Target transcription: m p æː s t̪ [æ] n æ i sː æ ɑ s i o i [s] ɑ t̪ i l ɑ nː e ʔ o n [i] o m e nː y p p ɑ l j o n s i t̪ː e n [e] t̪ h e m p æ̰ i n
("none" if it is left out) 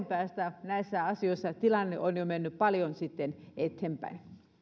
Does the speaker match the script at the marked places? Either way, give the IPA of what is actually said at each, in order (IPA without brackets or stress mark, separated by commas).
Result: æ, sː, j, e